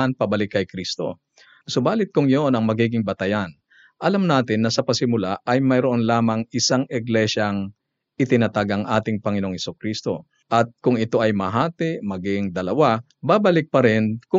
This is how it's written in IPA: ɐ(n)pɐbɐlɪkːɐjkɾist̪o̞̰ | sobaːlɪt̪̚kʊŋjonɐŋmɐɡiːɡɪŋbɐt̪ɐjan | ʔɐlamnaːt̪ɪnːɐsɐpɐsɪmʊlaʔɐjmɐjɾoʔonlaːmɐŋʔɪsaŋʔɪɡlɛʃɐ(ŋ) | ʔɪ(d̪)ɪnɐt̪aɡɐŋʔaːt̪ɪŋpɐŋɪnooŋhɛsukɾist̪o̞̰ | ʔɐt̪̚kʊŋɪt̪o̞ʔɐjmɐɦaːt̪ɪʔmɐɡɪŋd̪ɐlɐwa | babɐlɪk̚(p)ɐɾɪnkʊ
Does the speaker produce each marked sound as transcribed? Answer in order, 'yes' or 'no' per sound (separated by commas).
yes, yes, no, yes